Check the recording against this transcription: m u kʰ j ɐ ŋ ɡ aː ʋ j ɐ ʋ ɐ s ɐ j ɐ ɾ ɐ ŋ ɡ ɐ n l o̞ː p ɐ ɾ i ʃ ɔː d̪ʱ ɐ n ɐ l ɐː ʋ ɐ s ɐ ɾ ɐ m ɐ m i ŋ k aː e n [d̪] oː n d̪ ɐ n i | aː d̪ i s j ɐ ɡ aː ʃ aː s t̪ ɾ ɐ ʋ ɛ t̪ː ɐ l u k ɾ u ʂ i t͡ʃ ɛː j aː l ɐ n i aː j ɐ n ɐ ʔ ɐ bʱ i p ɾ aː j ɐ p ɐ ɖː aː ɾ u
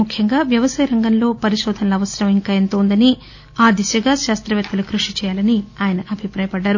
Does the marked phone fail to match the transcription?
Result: yes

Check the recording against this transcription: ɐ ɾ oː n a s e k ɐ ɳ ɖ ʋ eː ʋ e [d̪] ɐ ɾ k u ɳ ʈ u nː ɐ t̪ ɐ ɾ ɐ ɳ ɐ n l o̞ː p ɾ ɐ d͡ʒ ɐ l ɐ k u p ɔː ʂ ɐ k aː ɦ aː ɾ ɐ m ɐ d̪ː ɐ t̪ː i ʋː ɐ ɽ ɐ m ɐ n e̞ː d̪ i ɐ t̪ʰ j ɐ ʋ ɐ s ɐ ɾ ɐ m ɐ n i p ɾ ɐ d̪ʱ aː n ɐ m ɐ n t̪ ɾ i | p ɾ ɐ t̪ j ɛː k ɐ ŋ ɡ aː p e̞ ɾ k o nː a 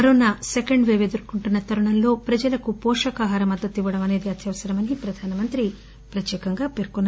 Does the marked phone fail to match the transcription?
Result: no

